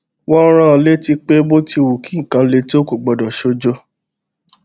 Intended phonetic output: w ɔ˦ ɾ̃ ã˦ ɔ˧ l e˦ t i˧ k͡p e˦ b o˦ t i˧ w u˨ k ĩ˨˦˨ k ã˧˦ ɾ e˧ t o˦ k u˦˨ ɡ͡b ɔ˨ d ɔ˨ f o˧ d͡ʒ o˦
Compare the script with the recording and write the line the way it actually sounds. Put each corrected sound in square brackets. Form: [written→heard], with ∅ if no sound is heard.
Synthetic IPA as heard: w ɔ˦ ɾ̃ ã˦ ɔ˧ l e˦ t i˧ k͡p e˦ b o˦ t i˧ w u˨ k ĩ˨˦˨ k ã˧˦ [ɾ→l] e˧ t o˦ k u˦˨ ɡ͡b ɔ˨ d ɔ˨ [f→ʃ] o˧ d͡ʒ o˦